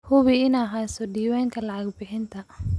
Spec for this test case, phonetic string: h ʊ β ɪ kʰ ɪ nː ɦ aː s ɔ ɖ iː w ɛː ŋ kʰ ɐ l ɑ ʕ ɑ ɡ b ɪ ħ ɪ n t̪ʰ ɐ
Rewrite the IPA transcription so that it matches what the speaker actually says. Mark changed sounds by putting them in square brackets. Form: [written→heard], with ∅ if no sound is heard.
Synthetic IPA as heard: h ʊ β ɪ [kʰ→∅] ɪ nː ɦ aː s ɔ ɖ iː w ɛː ŋ kʰ ɐ l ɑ ʕ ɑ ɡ b ɪ ħ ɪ n t̪ʰ ɐ